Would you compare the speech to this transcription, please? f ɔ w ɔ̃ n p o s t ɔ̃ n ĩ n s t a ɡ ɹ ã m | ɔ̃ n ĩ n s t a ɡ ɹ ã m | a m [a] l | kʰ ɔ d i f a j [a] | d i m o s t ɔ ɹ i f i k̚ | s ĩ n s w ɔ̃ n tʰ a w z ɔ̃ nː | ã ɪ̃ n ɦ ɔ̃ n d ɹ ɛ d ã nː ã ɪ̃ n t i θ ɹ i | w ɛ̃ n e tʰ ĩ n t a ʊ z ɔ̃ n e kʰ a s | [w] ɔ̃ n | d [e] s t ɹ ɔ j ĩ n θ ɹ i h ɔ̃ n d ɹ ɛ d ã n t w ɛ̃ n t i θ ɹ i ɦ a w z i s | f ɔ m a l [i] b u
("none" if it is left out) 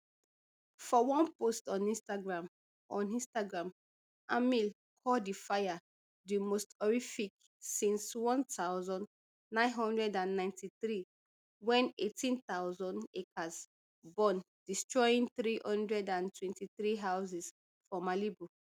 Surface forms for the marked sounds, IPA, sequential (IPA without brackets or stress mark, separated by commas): i, a, b, i, i